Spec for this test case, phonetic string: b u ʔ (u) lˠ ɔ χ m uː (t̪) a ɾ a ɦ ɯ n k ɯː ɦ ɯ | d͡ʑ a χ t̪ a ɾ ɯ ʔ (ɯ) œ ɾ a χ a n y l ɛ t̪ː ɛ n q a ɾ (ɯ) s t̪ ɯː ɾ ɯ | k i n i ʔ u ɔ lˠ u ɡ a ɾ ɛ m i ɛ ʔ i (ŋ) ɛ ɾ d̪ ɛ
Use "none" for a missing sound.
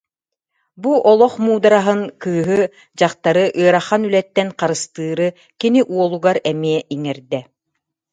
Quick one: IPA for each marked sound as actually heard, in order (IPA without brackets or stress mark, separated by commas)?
ɔ, d̪, ɯ, ɯ, ŋ